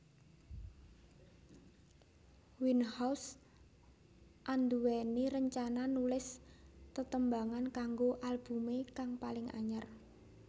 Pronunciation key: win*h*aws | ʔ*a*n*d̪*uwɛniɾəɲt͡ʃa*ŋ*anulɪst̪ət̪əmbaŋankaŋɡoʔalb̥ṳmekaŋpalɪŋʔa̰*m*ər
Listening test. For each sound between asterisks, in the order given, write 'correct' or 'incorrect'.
correct, correct, correct, incorrect: n, incorrect: ɲ

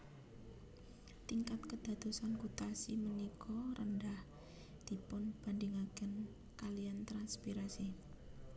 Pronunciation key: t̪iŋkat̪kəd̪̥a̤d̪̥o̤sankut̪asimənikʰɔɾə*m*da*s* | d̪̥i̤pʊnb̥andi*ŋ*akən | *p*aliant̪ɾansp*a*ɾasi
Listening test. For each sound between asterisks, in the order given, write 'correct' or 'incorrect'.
incorrect: n, incorrect: h, correct, incorrect: k, incorrect: i

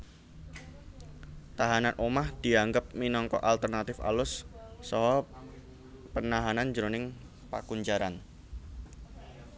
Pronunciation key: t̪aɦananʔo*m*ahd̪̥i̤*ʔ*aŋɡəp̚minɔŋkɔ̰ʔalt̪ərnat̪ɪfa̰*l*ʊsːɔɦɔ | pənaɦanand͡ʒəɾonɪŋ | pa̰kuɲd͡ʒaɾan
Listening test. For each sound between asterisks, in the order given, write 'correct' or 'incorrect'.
correct, incorrect: none, correct

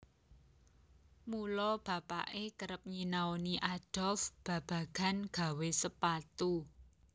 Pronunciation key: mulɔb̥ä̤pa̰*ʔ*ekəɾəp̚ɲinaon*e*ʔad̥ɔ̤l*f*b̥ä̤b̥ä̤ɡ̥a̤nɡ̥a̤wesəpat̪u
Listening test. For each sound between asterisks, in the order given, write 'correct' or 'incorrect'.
correct, incorrect: i, correct

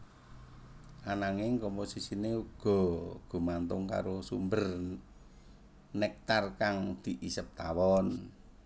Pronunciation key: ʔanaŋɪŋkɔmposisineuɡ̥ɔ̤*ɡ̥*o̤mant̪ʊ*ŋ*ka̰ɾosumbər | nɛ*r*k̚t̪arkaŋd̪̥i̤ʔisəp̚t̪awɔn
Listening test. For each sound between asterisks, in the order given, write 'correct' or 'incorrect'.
correct, correct, incorrect: none

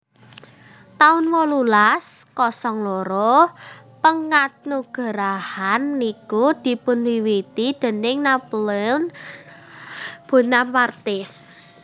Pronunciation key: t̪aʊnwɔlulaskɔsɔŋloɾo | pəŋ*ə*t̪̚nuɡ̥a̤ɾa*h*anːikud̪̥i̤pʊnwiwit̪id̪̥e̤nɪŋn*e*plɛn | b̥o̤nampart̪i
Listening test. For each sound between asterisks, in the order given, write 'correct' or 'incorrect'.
incorrect: a, correct, incorrect: a

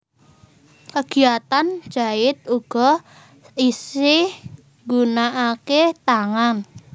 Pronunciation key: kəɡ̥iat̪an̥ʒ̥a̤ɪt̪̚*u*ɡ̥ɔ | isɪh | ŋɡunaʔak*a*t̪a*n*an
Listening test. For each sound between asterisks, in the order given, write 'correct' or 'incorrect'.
correct, incorrect: e, incorrect: ŋ

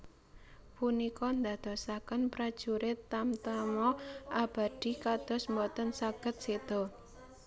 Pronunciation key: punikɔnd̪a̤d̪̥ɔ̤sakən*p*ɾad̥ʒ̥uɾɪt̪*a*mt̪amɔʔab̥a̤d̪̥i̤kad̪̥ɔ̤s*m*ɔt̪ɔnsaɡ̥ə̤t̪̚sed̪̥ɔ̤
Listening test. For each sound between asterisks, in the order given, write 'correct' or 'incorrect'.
correct, correct, correct

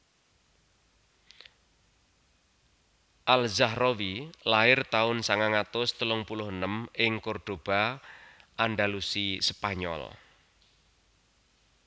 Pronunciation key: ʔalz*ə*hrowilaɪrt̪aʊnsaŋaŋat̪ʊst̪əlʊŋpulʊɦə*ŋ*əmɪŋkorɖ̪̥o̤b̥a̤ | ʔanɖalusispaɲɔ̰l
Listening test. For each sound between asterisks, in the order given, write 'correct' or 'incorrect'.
incorrect: a, incorrect: n

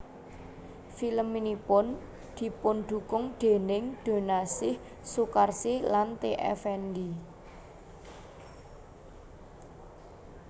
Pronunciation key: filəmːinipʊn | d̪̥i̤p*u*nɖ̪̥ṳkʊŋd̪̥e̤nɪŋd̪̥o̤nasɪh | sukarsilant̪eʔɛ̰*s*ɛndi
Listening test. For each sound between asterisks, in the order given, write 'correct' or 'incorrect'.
incorrect: ʊ, incorrect: f

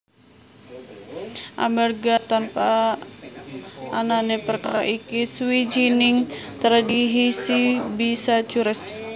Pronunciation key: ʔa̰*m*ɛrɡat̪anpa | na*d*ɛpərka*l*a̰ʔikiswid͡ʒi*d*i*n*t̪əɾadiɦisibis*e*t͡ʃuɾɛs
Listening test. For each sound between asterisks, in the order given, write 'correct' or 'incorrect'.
correct, incorrect: n, incorrect: ɾ, incorrect: n, incorrect: ŋ, incorrect: a

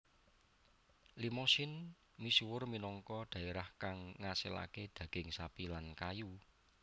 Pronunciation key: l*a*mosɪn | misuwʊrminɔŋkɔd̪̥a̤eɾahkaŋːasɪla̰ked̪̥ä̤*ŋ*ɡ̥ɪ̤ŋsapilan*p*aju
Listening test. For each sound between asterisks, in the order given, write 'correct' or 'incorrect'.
incorrect: i, incorrect: none, incorrect: k

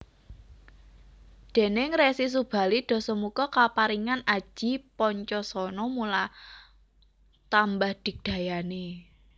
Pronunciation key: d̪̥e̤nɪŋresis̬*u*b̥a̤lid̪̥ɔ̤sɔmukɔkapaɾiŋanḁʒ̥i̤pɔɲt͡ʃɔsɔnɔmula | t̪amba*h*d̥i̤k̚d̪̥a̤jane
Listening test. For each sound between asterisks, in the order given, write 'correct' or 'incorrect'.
correct, correct

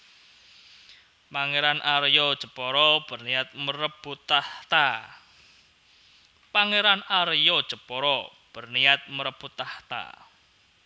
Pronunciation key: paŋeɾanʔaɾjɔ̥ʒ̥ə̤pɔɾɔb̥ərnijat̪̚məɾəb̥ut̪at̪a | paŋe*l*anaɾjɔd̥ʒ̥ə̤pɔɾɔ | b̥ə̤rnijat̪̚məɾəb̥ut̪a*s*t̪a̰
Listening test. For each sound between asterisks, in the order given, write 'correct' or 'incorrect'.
incorrect: ɾ, incorrect: h

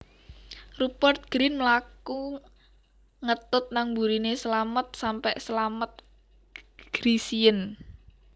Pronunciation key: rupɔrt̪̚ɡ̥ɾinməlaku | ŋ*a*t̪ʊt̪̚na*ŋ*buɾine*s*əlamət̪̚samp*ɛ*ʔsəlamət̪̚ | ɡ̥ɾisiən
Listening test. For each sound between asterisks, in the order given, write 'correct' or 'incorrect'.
incorrect: ə, correct, correct, correct

